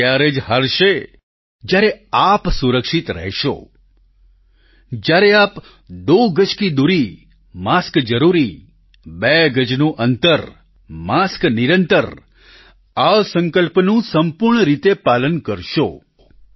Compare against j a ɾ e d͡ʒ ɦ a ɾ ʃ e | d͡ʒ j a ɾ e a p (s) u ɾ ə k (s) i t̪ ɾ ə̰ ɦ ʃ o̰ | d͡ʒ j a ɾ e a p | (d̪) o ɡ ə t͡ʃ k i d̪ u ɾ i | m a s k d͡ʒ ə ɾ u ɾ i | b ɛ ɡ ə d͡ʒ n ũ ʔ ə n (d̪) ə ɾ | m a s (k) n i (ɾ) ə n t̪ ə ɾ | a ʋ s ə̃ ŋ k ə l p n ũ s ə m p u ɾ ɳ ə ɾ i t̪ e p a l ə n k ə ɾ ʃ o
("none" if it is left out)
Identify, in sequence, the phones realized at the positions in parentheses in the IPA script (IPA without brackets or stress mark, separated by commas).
s, ʃ, d̪, t̪, k, ɾ